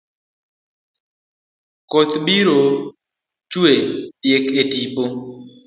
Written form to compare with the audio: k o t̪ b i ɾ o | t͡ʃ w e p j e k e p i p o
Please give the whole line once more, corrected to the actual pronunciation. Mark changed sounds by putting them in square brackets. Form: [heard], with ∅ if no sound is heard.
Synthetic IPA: k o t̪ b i ɾ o | t͡ʃ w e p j e k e [t] i p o